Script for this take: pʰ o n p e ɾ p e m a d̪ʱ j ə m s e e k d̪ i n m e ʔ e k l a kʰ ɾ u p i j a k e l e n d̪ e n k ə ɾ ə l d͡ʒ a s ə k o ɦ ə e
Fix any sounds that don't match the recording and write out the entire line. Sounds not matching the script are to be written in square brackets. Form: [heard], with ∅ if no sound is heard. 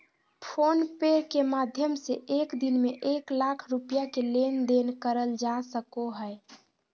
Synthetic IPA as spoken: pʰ o n p e ɾ [k] e m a d̪ʱ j ə m s e e k d̪ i n m e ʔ e k l a kʰ ɾ u p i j a k e l e n d̪ e n k ə ɾ ə l d͡ʒ a s ə k o ɦ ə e